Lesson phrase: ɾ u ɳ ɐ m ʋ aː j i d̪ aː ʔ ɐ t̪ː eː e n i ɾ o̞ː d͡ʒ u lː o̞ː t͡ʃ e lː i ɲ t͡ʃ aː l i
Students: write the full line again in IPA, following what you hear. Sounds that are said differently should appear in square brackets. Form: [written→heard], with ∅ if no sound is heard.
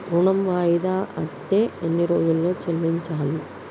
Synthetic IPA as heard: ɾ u ɳ ɐ m ʋ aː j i d̪ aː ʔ ɐ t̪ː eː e [n→nː] i ɾ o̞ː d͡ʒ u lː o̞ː t͡ʃ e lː i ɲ t͡ʃ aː l i